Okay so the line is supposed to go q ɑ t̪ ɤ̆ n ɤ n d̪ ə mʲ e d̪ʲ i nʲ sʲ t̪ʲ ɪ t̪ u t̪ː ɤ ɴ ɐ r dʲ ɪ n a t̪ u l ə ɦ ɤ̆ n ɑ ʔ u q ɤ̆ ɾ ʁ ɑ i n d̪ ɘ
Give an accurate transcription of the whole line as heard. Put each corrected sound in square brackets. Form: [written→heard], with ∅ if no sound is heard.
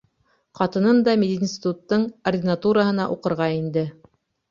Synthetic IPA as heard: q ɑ t̪ ɤ̆ n ɤ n d̪ [ə→ɑ] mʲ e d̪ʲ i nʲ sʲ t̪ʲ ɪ t̪ u t̪ː ɤ ɴ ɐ r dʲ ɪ n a t̪ u [l→ɾ] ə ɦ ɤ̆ n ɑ ʔ u q ɤ̆ ɾ ʁ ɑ i n d̪ ɘ